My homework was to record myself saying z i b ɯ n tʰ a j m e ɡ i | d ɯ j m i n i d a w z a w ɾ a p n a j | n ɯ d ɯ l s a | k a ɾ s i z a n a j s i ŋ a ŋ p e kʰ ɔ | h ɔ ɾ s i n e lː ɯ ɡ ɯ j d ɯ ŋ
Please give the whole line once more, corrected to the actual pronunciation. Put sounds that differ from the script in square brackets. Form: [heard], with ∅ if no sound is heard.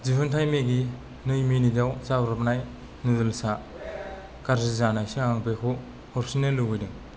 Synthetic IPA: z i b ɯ n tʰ a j m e ɡ i | [n] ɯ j m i n i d a w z a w ɾ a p n a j | n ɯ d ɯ l s a | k a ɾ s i z a n a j s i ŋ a ŋ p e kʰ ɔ | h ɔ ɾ s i n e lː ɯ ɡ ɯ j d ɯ ŋ